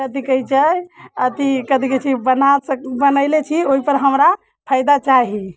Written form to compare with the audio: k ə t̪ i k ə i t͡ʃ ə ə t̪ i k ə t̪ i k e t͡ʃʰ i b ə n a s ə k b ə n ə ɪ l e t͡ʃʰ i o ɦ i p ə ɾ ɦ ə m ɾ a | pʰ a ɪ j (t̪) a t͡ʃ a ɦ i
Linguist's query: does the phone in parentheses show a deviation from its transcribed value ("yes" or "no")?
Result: yes